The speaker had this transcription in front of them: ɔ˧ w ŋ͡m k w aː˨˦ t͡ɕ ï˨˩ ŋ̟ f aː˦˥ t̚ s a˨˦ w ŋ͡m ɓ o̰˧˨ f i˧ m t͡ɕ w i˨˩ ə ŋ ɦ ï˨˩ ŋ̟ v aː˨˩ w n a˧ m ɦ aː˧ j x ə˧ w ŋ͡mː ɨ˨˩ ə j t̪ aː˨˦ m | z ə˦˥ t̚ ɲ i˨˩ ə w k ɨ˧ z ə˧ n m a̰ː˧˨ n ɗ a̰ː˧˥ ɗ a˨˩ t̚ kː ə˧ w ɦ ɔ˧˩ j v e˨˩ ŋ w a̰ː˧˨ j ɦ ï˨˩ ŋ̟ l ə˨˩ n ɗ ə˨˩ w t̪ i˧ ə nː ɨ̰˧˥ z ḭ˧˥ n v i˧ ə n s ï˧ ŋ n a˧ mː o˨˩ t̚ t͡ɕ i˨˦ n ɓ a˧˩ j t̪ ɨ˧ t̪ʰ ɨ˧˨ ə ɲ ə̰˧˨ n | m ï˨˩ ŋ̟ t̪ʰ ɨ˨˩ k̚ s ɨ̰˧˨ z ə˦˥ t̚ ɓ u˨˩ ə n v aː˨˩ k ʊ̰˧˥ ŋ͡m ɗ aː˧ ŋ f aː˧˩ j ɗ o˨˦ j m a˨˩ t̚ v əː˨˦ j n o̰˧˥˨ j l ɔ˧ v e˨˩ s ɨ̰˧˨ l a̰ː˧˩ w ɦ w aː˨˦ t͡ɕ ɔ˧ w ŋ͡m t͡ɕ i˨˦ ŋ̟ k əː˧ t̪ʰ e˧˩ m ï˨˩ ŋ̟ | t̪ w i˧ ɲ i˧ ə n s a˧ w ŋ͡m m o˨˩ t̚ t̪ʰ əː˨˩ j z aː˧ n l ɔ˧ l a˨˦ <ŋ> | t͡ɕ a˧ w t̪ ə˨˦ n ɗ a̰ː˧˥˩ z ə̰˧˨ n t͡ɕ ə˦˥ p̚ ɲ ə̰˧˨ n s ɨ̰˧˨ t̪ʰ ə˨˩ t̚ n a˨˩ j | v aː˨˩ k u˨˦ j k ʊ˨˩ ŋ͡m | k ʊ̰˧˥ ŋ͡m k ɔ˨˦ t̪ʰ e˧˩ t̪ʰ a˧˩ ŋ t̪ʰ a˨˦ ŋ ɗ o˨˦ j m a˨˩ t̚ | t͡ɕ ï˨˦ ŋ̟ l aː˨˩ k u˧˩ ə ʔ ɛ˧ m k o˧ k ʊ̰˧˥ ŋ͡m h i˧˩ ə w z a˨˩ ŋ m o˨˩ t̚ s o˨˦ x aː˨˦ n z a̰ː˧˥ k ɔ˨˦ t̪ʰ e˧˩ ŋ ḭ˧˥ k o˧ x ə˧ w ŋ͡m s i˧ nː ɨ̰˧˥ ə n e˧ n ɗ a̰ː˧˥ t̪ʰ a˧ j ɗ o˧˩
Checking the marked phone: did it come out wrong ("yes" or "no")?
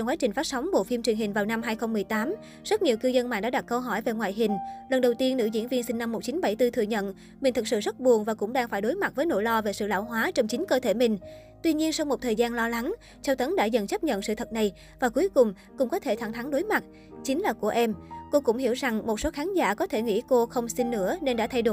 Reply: no